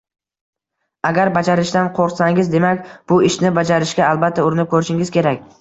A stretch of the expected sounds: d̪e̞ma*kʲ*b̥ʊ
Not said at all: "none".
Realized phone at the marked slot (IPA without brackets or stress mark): kʲ